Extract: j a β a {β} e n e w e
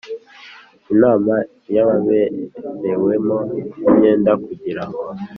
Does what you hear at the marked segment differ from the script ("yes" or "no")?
no